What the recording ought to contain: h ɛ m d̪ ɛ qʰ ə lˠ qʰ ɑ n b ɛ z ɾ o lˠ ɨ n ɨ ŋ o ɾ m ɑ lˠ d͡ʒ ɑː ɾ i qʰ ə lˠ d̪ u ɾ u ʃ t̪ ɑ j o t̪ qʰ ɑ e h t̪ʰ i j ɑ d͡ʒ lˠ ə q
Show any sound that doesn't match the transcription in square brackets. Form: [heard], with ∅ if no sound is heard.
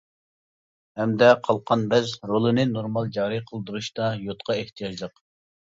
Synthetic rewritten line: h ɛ m d̪ ɛ qʰ [ɑ] lˠ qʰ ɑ n b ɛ z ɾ o lˠ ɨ n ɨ [n] o ɾ m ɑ lˠ d͡ʒ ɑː ɾ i qʰ ə lˠ d̪ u ɾ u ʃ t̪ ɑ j o t̪ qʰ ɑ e h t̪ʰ i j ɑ d͡ʒ lˠ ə q